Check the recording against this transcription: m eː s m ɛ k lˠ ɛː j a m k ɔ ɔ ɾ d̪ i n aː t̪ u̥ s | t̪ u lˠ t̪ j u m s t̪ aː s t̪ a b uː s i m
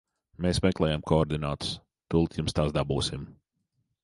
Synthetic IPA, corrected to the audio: m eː s m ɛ k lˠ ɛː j a m k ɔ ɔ ɾ d̪ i n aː t̪ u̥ s | t̪ u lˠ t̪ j u m s t̪ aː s d̪ a b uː s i m